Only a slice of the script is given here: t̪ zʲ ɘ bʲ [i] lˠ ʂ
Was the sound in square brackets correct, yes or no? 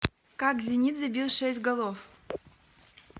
yes